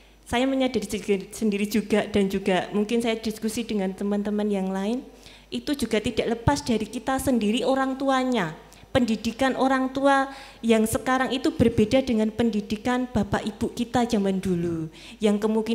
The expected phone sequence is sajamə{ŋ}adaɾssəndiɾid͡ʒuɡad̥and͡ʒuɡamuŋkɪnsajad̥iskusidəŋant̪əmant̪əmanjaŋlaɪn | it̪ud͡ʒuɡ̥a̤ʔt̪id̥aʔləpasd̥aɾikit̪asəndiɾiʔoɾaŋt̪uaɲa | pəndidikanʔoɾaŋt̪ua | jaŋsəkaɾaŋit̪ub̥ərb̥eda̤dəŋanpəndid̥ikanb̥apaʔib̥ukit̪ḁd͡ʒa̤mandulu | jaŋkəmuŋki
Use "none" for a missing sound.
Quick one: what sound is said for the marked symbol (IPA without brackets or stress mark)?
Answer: ɲ